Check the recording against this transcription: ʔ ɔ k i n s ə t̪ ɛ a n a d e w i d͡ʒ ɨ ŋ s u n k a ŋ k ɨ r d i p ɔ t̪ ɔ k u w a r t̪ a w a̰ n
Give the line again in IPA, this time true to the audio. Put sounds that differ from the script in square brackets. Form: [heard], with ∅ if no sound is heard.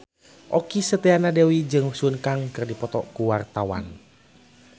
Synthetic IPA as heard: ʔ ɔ k i [∅] s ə t̪ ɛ a n a d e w i d͡ʒ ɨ ŋ s u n k a ŋ k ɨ r d i p ɔ t̪ ɔ k u w a r t̪ a w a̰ n